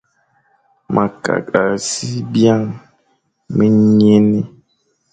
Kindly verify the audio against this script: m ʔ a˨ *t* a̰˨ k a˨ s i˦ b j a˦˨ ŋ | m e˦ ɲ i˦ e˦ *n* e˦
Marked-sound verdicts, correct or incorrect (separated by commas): incorrect, correct